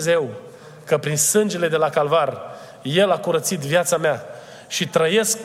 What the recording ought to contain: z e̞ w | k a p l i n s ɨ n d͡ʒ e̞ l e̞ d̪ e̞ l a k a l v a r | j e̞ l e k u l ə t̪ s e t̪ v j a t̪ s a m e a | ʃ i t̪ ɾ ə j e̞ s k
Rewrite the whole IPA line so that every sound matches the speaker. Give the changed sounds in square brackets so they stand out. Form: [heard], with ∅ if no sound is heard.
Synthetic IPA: z e̞ w | k [ə] p [ɾ] i n s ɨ n d͡ʒ e̞ l e̞ d̪ e̞ l a k a l v a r | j e̞ l [a] k u [ɾ] ə t̪ s [i] t̪ v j a t̪ s a m e a | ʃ i t̪ ɾ ə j e̞ s k